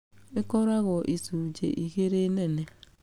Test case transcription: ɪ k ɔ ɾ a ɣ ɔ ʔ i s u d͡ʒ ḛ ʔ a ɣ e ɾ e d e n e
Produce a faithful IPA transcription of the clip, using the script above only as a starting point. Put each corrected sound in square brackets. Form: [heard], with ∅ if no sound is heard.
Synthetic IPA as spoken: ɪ k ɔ ɾ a ɣ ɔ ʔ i s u d͡ʒ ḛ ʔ [i] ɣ e ɾ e [n] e n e